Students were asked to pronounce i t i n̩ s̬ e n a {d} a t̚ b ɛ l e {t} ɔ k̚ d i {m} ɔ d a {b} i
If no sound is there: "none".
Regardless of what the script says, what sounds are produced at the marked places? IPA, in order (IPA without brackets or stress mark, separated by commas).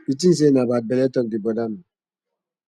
b, t, b, m